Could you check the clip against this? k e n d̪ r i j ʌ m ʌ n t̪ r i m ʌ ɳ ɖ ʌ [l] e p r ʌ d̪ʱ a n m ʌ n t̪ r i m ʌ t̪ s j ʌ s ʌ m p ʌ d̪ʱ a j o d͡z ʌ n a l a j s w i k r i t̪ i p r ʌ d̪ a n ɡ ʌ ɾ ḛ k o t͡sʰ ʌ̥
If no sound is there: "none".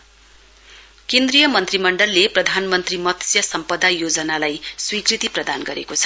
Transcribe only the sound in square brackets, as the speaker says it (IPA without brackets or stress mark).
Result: lː